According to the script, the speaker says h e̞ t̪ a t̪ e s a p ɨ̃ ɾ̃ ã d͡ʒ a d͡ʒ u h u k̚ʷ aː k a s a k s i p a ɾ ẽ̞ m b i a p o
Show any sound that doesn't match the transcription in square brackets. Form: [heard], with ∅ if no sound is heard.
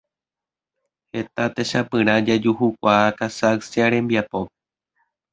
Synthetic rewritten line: h e̞ t̪ a t̪ e [ʃ] a p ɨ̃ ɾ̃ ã d͡ʒ a d͡ʒ u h u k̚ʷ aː k a s a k s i [∅] a ɾ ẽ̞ m b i a p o